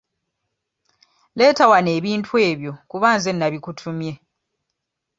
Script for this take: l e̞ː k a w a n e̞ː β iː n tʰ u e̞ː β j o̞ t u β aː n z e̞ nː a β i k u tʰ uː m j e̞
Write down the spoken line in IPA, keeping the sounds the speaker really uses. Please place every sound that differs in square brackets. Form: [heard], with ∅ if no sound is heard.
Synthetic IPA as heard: l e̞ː [t] a w a n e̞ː β iː n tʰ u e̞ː β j o̞ [k] u β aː n z e̞ nː a β i k u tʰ [u] m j e̞